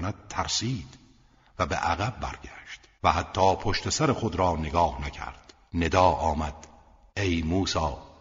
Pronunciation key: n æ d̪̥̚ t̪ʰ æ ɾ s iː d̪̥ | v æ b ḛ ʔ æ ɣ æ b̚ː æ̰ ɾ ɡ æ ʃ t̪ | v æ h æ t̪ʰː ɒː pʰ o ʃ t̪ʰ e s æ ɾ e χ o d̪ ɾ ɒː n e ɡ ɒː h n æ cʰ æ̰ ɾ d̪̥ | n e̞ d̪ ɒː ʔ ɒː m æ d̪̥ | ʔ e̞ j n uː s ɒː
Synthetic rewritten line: n æ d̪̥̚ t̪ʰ æ ɾ s iː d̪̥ | v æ b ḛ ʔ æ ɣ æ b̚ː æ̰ ɾ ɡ æ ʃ t̪ | v æ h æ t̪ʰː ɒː pʰ o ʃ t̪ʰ e s æ ɾ e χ o d̪ ɾ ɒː n e ɡ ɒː h n æ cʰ æ̰ ɾ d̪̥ | n e̞ d̪ ɒː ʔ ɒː m æ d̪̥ | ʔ e̞ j m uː s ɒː